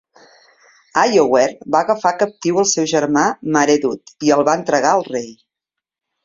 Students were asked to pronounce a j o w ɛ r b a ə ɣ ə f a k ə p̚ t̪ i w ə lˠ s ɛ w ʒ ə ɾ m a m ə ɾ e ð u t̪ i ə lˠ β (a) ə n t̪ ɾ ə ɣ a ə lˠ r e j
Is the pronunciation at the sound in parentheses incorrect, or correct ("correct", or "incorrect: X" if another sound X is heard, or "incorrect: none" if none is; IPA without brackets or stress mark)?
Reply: correct